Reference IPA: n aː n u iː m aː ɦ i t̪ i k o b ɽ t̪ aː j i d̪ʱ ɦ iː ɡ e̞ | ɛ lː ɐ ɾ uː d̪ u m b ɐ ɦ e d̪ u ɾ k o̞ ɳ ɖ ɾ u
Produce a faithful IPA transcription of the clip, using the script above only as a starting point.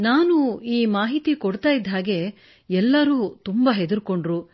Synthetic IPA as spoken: n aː n u iː m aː ɦ i t̪ i k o ɽ t̪ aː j i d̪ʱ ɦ aː ɡ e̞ | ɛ lː ɐ ɾ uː t̪ u m b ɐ ɦ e d̪ u ɾ k o̞ ɳ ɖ ɾ u

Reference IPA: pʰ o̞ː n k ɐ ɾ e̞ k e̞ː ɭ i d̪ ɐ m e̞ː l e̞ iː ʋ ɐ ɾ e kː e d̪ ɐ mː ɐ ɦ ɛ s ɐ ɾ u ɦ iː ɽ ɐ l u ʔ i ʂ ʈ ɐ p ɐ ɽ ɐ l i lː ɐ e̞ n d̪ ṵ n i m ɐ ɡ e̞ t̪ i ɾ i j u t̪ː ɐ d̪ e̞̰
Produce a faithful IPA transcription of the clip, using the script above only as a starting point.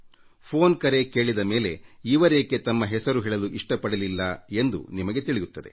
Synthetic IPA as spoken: pʰ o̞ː n k ɐ ɾ e̞ k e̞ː ɭ i d̪ ɐ m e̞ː l e̞ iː ʋ ɐ ɾ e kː e t̪ ɐ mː ɐ ɦ ɛ s ɐ ɾ u ɦ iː ɭ ɐ l u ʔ i ʂ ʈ ɐ p ɐ ɽ ɐ l i lː ɐ e̞ n d̪ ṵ n i m ɐ ɡ e̞ t̪ i ɭ i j u t̪ː ɐ d̪ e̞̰

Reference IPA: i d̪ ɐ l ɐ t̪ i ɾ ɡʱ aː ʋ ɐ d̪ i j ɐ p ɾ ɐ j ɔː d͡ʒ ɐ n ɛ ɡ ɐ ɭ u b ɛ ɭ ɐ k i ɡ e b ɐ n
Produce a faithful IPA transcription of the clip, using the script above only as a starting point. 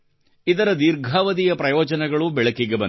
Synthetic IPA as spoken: i d̪ ɐ ɾ ɐ d̪ i ɾ ɡʱ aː ʋ ɐ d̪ i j ɐ p ɾ ɐ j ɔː d͡ʒ ɐ n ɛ ɡ ɐ ɭ u b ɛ ɭ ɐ k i ɡ e b ɐ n

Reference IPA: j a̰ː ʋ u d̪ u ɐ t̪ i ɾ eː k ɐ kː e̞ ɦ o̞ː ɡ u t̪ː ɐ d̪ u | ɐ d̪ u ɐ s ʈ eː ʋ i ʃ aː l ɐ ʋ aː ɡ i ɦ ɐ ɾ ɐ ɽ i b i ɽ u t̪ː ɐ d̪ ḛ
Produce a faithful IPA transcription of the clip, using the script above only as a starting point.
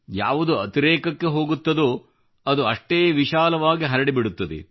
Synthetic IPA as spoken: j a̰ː ʋ u d̪ u ɐ t̪ i ɾ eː k ɐ kː e̞ ɦ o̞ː ɡ u t̪ː ɐ d̪ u | ɐ d̪ u ɐ ʂ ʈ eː ʋ i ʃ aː l ɐ ʋ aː ɡ i ɦ ɐ ɾ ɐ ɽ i b i ɽ u t̪ː ɐ d̪ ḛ

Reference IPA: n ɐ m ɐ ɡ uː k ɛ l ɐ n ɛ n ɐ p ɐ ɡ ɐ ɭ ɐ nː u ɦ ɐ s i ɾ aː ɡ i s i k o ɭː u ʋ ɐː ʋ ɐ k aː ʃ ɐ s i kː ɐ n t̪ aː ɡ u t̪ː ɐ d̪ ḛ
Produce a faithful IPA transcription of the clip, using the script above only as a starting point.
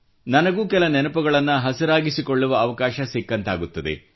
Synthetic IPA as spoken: n ɐ n ɐ ɡ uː k ɛ l ɐ n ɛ n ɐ p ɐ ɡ ɐ ɭ ɐ nː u ɦ ɐ s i ɾ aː ɡ i s i k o ɭː u ʋ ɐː ʋ ɐ k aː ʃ ɐ s i kː ɐ n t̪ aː ɡ u t̪ː ɐ d̪ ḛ

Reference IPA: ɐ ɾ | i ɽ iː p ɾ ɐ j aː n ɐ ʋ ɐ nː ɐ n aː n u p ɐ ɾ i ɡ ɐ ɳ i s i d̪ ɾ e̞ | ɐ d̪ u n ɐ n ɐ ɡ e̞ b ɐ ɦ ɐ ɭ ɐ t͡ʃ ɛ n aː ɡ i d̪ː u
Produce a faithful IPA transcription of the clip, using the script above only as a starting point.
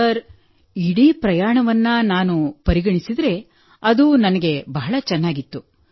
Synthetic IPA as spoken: ɐ ɾ | i ɽ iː p ɾ ɐ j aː ɳ ɐ ʋ ɐ nː ɐ n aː n u p ɐ ɾ i ɡ ɐ ɳ i s i d̪ ɾ e̞ | ɐ d̪ u n ɐ n ɐ ɡ e̞ b ɐ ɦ ɐ ɭ ɐ t͡ʃ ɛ nː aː ɡ i t̪ː u

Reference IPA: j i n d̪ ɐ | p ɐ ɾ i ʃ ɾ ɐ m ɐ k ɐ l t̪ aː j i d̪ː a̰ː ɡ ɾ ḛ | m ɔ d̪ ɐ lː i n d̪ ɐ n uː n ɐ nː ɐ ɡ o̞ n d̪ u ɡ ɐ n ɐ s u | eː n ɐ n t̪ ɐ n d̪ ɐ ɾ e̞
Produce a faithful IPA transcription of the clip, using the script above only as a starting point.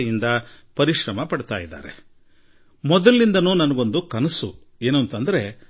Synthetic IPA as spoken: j i n d̪ ɐ | p ɐ ɾ i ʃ ɾ ɐ m ɐ p ɐ ɽ t̪ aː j i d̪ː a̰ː ɾ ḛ | m ɔ d̪ ɐ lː i n d̪ ɐ n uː n ɐ n ɐ ɡ o̞ n d̪ u k ɐ n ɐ s u | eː n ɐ n t̪ ɐ n d̪ ɐ ɾ e̞

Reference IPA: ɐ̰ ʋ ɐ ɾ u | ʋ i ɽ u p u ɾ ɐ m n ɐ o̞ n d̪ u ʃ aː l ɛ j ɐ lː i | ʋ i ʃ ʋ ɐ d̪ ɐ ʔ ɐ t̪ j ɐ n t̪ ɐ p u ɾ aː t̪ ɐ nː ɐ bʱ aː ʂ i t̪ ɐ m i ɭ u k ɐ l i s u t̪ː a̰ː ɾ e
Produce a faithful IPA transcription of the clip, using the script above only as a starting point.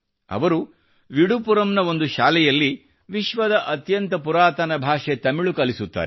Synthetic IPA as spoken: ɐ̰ ʋ ɐ ɾ u | ʋ i ɽ u p u ɾ ɐ m n ɐ o̞ n d̪ u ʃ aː l ɛ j ɐ lː i | ʋ i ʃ ʋ ɐ d̪ ɐ ʔ ɐ t̪ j ɐ n t̪ ɐ p u ɾ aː t̪ ɐ n ɐ bʱ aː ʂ e t̪ ɐ m i ɭ u k ɐ l i s u t̪ː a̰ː ɾ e

